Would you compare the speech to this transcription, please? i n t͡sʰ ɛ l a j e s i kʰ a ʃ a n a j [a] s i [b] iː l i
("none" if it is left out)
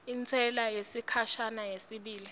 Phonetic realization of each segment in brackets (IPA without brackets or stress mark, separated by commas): e, ɓ